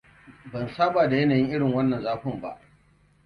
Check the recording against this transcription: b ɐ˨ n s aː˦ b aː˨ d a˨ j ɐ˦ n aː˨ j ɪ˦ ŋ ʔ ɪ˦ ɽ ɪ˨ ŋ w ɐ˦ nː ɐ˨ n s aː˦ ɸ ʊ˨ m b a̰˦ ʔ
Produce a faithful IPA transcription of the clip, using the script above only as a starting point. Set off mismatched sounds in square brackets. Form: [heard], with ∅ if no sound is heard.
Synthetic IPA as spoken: b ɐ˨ n s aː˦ b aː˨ d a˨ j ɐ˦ n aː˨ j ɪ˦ ŋ ʔ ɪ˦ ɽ ɪ˨ ŋ w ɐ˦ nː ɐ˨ n [z] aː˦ ɸ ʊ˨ m b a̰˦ ʔ